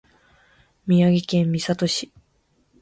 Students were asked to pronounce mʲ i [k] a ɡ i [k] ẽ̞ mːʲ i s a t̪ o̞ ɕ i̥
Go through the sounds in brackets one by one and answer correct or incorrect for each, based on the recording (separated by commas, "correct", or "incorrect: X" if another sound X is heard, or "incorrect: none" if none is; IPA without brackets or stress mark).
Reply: incorrect: none, correct